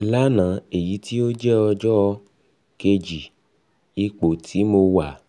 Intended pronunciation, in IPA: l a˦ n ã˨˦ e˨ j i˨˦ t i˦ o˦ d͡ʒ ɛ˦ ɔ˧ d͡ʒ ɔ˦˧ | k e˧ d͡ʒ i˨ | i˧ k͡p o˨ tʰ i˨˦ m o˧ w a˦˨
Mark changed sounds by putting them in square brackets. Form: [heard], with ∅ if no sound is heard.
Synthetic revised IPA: l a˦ n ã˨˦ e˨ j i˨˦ t i˦ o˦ d͡ʒ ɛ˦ ɔ˧ d͡ʒ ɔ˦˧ | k e˧ d͡ʒ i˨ | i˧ k͡p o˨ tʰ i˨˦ m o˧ w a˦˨